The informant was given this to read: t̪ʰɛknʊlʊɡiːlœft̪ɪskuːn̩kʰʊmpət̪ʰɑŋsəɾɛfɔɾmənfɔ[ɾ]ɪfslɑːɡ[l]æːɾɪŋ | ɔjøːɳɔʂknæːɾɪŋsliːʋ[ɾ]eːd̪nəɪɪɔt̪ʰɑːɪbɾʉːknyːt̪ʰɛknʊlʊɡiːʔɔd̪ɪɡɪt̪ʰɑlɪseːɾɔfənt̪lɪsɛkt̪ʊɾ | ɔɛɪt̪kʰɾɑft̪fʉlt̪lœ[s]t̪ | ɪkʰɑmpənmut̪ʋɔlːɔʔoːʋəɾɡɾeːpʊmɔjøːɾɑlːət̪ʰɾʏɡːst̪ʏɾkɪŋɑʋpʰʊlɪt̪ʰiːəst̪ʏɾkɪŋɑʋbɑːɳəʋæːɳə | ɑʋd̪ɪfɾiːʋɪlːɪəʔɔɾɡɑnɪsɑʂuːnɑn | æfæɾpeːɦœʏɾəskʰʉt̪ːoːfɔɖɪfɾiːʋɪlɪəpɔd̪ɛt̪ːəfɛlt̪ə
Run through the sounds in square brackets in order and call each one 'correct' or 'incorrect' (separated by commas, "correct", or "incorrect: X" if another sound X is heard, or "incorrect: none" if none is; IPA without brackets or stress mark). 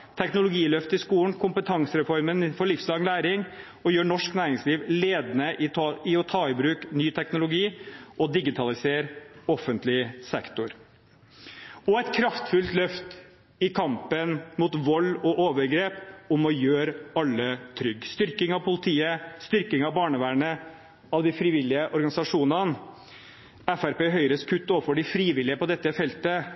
incorrect: ɭ, correct, incorrect: l, incorrect: f